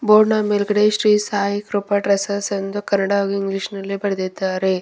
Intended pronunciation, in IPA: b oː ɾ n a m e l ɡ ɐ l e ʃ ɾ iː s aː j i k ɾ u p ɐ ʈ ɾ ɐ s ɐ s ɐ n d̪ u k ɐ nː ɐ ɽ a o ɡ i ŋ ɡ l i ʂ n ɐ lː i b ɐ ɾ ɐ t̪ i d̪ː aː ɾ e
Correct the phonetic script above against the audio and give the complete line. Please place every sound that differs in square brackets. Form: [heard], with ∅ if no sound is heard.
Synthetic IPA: b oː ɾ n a m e l ɡ ɐ [ɽ] e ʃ ɾ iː s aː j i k ɾ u p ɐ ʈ ɾ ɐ s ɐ s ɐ n d̪ u k ɐ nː ɐ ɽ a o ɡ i ŋ ɡ l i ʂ n ɐ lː i b ɐ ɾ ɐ [d̪] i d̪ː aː ɾ e